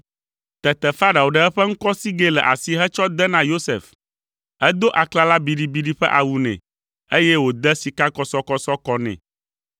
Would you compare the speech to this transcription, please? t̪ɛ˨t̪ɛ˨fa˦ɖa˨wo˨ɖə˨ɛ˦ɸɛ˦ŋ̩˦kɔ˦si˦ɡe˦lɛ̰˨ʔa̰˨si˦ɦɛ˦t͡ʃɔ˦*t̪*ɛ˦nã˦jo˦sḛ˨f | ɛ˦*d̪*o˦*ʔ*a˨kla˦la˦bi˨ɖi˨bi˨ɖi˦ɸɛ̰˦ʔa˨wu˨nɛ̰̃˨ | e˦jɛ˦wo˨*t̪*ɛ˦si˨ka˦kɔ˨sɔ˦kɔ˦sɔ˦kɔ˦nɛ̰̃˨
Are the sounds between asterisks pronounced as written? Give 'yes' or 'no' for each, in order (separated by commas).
no, yes, yes, no